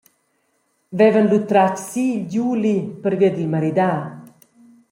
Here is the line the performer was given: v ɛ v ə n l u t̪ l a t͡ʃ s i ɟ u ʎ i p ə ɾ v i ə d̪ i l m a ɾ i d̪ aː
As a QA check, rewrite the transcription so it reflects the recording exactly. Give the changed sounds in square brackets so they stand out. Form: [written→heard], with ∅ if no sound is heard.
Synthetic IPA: v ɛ v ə n l u t̪ [l→ɾ] a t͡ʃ s i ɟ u [ʎ→l] i p ə ɾ v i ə d̪ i l m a ɾ i d̪ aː